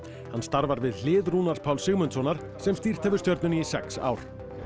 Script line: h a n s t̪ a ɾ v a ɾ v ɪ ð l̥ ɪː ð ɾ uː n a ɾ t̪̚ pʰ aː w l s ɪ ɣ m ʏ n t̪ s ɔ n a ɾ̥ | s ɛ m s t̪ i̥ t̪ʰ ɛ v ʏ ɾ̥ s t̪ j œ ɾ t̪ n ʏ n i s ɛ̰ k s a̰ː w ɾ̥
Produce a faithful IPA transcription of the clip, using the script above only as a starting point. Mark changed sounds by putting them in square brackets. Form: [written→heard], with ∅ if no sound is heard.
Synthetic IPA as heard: h a n s t̪ a ɾ v a ɾ v ɪ ð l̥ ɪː ð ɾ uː n a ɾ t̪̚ pʰ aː w l s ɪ ɣ m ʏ n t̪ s ɔ n a ɾ̥ | s ɛ m s t̪ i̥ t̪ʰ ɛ v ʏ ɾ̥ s t̪ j œ ɾ t̪ n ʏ n i s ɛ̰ k s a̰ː w ɾ̥